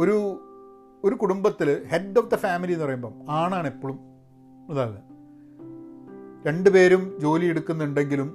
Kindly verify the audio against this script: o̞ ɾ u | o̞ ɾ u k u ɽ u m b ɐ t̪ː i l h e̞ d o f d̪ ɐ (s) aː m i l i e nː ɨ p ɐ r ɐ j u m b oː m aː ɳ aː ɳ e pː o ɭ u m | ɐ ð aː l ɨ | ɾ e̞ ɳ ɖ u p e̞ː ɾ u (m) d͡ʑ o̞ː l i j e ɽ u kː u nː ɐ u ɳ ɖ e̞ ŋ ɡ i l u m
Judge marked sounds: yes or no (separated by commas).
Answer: no, yes